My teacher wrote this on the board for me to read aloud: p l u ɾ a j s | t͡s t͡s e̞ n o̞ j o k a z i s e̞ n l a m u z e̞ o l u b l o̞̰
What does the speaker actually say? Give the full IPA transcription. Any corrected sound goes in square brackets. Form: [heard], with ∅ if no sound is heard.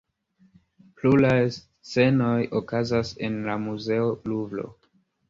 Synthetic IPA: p l u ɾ a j s | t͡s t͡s e̞ n o̞ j o k a z [a] s e̞ n l a m u z e̞ o l u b l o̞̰

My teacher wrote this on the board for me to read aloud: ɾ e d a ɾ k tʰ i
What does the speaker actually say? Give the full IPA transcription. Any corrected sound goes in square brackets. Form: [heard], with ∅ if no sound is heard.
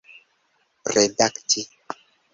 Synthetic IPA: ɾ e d a [∅] k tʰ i

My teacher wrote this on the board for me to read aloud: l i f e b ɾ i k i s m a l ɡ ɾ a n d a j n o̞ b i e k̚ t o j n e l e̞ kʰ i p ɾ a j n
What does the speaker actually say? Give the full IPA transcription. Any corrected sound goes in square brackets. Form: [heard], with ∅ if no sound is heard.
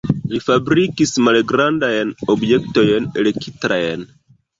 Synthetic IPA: l i f [a] b ɾ i k i s m a l ɡ ɾ a n d a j n o̞ b [j] e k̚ t o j n e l e̞ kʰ i [t] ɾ a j n

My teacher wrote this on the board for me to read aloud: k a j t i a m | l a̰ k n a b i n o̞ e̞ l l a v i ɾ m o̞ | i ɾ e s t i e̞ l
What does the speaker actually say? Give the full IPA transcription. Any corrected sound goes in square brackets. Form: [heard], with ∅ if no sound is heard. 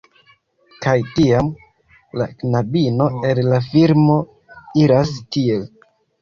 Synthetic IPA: k a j t i a m | l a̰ k n a b i n o̞ e̞ l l a [f] i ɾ m o̞ | i ɾ [a] s t i e̞ l

